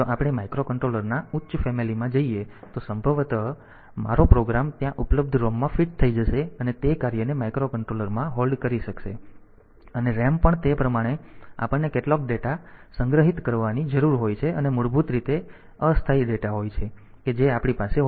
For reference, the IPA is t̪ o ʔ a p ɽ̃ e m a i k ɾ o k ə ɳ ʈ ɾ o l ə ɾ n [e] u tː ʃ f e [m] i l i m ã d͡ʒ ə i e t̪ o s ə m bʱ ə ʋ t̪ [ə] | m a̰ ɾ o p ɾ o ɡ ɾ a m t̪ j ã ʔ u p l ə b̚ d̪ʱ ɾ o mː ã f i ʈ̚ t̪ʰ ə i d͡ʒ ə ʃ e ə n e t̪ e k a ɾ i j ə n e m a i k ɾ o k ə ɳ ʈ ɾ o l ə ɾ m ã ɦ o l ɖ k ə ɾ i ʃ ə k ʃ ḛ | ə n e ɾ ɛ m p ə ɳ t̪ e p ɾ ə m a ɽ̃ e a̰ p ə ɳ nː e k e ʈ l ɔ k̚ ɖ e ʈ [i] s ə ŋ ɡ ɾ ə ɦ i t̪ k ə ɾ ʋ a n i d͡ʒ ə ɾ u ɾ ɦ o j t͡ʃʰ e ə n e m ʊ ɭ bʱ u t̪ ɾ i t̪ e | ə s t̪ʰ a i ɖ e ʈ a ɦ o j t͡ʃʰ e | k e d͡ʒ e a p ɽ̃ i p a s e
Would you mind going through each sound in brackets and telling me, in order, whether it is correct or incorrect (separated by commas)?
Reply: incorrect, correct, correct, incorrect